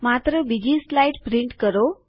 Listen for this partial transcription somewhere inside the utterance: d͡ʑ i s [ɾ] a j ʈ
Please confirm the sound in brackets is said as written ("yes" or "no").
no